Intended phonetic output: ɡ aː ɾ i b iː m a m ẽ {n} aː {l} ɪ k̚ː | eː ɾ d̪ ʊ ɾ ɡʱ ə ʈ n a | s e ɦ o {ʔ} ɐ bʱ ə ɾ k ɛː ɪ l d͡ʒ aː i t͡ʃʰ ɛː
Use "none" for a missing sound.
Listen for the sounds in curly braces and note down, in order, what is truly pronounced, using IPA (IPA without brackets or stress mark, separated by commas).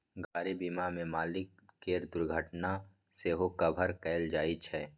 m, l, k